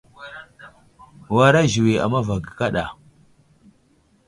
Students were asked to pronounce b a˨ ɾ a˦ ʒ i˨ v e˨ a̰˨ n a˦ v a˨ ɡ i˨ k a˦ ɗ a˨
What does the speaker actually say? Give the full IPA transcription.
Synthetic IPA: w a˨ ɾ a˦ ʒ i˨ w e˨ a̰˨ m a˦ v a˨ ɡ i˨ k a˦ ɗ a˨